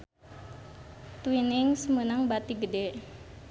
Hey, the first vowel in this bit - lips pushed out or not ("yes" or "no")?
no